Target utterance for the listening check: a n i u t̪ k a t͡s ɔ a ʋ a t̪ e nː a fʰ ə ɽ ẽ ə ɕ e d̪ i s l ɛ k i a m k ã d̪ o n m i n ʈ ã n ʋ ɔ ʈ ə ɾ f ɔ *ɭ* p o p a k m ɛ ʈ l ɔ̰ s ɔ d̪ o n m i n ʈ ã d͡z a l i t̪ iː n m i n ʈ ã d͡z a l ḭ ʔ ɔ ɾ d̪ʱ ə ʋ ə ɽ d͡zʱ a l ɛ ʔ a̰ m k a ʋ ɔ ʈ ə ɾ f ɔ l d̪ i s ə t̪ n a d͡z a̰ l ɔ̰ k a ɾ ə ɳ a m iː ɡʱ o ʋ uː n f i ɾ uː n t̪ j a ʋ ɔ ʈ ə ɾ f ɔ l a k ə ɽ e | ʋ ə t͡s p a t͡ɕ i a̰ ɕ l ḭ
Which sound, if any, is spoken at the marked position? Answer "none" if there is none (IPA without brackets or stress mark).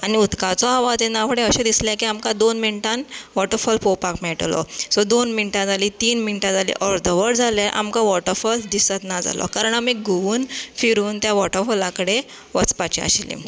l